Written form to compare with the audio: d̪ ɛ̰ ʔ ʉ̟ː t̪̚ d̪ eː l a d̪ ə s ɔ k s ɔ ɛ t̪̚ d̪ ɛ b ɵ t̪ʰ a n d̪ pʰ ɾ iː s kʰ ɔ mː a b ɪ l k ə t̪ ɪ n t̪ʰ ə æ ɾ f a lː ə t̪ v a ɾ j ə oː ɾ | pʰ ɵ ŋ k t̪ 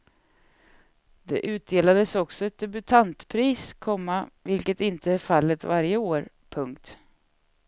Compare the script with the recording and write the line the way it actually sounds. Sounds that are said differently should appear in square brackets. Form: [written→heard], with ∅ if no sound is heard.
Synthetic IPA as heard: d̪ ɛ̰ ʔ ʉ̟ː t̪̚ d̪ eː l a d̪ ə s ɔ k s ɔ ɛ t̪̚ d̪ ɛ b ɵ t̪ʰ a n [d̪→t̪] pʰ ɾ iː s kʰ ɔ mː a [b→v] ɪ l k ə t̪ ɪ n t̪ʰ ə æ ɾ f a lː ə t̪ v a ɾ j ə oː ɾ | pʰ ɵ ŋ k t̪